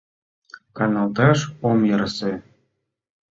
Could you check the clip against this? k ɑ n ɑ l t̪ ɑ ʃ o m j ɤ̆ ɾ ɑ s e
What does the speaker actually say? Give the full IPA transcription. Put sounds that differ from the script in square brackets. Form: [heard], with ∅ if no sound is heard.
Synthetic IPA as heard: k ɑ n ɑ l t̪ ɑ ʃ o m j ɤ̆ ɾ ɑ s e